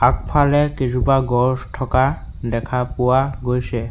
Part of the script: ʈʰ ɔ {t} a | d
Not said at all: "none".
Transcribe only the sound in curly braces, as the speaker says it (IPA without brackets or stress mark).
k